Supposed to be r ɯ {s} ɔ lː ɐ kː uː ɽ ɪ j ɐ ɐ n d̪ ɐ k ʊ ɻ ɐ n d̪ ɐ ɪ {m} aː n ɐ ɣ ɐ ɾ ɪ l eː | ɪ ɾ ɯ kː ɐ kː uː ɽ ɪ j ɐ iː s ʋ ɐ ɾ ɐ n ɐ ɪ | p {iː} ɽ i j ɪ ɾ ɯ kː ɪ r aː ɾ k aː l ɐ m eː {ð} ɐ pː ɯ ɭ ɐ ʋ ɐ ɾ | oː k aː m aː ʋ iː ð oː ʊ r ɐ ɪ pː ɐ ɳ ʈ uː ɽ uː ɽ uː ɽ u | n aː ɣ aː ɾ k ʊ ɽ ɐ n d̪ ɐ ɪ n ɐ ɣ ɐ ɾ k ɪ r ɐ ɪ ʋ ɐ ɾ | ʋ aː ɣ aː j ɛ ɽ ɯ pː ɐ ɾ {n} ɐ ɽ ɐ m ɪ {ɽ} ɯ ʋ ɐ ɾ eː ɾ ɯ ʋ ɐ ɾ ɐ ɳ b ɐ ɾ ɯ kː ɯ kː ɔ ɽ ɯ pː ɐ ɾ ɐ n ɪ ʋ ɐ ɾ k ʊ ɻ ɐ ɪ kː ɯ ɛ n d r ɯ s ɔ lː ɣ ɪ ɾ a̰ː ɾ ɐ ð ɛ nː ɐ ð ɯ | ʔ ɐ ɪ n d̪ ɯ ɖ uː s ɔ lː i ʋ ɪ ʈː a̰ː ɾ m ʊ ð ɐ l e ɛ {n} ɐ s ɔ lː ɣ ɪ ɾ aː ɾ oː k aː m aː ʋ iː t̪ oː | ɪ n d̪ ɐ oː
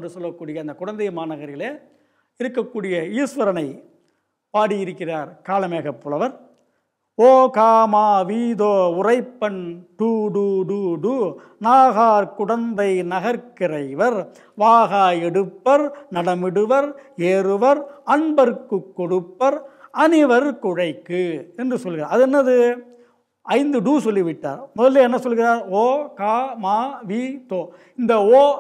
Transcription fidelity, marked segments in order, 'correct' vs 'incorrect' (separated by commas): correct, correct, incorrect, incorrect, correct, correct, incorrect